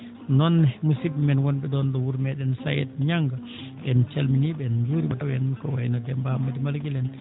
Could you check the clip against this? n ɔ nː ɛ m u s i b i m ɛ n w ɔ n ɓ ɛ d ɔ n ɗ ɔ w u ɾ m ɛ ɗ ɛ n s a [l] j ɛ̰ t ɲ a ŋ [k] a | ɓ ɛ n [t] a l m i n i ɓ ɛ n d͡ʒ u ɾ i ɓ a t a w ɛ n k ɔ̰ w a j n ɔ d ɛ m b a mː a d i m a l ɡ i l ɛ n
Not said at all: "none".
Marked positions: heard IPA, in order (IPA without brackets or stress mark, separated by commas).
none, ɡ, t͡ʃ